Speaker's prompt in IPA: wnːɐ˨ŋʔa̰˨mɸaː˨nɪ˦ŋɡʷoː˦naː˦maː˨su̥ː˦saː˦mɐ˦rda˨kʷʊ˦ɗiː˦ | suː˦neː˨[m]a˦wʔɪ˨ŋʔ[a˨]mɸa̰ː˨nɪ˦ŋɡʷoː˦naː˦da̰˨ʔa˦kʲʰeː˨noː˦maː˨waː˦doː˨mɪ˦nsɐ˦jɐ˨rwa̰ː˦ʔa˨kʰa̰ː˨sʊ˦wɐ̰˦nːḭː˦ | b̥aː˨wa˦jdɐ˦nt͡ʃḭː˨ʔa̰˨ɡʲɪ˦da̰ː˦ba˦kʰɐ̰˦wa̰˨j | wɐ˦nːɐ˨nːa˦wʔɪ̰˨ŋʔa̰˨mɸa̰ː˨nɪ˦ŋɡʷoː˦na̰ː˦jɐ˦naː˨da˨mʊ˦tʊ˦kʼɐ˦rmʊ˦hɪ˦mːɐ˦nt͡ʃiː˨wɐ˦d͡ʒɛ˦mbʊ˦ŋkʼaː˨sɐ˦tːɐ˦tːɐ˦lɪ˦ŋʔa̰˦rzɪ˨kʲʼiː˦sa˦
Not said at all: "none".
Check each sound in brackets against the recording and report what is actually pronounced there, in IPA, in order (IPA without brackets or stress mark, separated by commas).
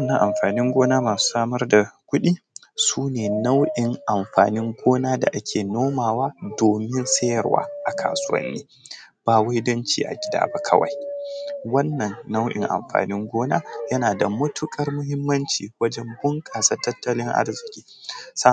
n, a˨